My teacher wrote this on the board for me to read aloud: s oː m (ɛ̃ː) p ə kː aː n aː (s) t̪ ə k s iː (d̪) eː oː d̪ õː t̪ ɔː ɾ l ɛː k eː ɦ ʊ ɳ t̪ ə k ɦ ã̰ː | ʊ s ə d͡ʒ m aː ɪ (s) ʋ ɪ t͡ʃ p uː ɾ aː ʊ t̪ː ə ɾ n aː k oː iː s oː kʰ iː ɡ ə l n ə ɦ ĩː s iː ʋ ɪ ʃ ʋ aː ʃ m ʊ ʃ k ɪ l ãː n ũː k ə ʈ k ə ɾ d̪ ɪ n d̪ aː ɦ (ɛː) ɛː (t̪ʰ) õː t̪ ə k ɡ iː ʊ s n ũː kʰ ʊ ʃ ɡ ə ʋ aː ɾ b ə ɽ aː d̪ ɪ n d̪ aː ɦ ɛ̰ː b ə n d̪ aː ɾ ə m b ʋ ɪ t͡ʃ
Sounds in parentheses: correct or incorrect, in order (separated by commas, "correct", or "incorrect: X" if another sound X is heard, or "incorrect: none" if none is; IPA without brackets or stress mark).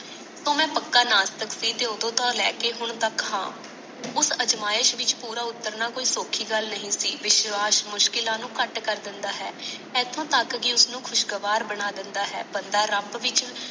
correct, correct, incorrect: t̪, incorrect: ʃ, correct, correct